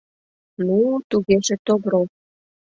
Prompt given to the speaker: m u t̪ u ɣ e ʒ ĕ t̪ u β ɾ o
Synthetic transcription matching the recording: n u t̪ u ɣ e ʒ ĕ t̪ o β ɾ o

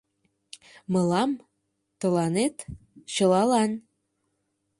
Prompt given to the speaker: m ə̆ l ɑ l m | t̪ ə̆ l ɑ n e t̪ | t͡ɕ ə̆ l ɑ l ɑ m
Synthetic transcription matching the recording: m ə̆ l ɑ m | t̪ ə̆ l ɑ n e t̪ | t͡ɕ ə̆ l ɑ l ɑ n

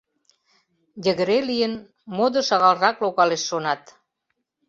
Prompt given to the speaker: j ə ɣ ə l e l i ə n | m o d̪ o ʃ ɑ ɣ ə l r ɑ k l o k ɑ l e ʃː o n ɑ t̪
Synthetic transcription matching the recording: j ə ɣ ə ɾ e l i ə n | m o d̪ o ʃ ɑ ɣ ɑ l r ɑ k l o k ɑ l e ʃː o n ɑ t̪

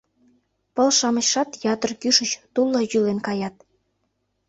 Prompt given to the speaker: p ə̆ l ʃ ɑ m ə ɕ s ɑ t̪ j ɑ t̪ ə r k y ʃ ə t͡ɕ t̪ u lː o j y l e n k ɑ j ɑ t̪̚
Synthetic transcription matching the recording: p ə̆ l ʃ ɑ m ə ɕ ʃ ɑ t̪ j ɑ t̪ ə r k y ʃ ə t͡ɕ t̪ u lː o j y l e n k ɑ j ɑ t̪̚

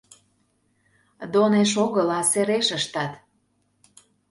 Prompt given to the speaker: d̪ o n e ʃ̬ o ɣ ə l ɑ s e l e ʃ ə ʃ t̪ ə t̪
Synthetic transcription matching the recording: d̪ o n e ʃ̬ o ɣ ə l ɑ s e ɾ e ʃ ə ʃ t̪ ɑ t̪

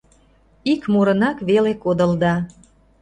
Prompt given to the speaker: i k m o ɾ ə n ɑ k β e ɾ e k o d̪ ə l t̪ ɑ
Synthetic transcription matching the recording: i k m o ɾ ə n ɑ k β e l e k o d̪ ə l d̪ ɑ

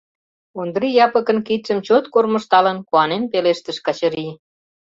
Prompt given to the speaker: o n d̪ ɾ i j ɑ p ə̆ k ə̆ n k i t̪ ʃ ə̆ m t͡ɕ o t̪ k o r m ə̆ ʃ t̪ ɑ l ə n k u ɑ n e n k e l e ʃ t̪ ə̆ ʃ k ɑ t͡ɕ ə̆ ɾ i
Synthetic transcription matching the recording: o n d̪ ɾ i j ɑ p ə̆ k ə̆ n k i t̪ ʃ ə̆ m t͡ɕ o t̪ k o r m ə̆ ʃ t̪ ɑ l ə n k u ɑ n e n p e l e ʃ t̪ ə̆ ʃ k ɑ t͡ɕ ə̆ ɾ i

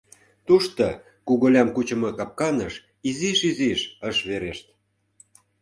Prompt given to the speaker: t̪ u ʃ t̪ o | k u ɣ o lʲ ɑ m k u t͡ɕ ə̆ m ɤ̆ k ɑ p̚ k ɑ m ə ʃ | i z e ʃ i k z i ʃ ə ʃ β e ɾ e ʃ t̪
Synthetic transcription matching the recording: t̪ u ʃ t̪ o | k u ɣ o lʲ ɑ m k u t͡ɕ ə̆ m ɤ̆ k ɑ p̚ k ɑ n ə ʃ | i z i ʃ i z i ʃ ə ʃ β e ɾ e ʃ t̪

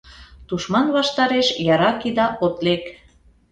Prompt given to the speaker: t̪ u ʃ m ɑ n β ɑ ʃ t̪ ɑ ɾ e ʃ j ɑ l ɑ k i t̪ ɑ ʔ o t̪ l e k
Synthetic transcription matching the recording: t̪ u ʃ m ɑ n β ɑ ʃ t̪ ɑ ɾ e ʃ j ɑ ɾ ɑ k i d̪ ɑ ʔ o t̪ l e k

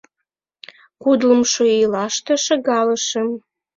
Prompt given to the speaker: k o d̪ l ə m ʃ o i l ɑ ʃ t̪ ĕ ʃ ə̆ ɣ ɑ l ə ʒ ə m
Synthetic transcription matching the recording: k u d̪ l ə m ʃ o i l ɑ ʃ t̪ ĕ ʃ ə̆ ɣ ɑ l ə ʃ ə m

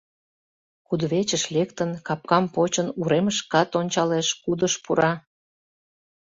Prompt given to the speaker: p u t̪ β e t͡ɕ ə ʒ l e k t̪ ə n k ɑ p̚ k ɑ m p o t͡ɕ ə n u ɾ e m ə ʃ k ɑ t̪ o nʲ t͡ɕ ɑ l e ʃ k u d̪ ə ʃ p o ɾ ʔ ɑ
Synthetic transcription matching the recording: k u d̪ β e t͡ɕ ə ʃ l e k t̪ ə n k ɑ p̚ k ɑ m p o t͡ɕ ə n u ɾ e m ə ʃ k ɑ t̪ o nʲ t͡ɕ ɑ l e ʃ k u d̪ ə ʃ p u ɾ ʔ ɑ

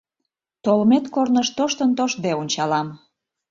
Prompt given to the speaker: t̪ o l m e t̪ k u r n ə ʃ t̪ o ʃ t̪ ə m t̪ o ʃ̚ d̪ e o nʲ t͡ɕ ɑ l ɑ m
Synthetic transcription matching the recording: t̪ o l m e t̪ k o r n ə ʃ t̪ o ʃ t̪ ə n t̪ o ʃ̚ d̪ e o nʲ t͡ɕ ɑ l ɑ m

